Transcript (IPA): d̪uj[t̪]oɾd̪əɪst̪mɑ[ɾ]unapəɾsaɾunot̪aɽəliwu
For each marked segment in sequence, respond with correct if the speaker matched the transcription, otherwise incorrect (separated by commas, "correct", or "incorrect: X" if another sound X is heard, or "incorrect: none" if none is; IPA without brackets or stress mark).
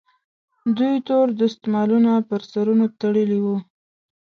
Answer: correct, incorrect: l